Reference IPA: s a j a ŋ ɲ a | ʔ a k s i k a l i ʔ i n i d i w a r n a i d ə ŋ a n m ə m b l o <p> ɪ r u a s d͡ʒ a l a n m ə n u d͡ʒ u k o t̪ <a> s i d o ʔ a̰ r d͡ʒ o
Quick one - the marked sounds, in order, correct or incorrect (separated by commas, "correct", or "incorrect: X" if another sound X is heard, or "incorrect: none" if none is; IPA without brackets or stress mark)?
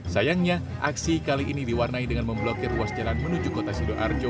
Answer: incorrect: k, correct